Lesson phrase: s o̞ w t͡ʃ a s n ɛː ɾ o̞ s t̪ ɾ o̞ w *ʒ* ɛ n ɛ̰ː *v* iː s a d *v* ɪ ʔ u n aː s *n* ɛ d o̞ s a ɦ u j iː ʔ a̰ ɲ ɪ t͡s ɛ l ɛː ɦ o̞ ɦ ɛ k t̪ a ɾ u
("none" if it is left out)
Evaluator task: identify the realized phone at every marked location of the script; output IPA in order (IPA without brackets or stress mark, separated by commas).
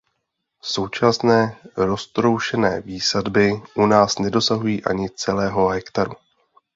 ʃ, v, b, n